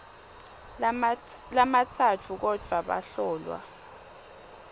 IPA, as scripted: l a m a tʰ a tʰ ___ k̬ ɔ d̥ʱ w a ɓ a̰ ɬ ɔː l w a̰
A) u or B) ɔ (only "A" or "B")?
A